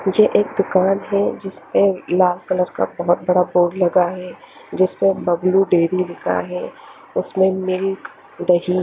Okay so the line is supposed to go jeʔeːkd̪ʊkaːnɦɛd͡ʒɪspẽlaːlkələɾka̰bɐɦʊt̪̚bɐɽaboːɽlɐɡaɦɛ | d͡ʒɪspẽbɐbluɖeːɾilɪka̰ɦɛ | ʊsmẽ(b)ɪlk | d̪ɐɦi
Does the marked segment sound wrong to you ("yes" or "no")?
yes